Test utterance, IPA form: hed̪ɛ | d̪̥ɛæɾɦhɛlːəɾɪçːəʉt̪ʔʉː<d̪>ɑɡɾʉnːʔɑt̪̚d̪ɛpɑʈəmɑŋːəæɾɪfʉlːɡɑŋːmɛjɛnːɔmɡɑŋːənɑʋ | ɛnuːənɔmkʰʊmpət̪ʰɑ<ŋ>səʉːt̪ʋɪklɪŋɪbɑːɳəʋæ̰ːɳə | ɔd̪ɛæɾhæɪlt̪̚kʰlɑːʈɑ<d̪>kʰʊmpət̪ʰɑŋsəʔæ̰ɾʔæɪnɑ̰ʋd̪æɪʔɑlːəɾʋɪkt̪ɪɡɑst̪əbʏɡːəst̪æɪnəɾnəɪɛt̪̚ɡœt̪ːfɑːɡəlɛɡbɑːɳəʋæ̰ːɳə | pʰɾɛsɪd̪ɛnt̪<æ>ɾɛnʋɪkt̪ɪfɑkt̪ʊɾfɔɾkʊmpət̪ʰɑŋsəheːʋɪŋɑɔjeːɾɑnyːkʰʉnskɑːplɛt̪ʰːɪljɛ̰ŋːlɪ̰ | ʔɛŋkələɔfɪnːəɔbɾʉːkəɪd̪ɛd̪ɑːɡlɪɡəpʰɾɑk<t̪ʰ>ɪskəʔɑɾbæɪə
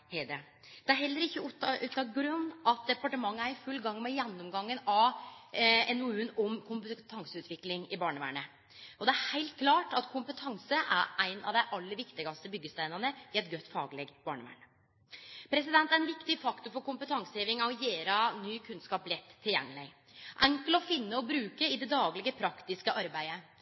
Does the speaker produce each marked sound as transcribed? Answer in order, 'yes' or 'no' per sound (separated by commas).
no, yes, no, yes, no